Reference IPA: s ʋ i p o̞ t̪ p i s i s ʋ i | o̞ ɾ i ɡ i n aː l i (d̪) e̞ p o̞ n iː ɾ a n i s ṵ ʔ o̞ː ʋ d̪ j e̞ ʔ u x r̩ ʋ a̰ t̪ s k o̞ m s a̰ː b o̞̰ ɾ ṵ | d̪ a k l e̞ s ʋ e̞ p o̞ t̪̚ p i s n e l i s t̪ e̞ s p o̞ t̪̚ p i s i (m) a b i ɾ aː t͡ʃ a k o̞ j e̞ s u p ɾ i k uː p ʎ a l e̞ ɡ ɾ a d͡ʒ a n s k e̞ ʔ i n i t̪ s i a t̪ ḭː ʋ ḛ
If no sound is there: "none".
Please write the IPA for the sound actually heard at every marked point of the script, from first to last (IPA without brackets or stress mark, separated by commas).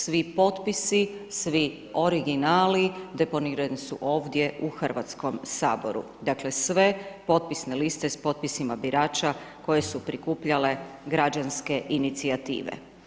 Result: d̪, m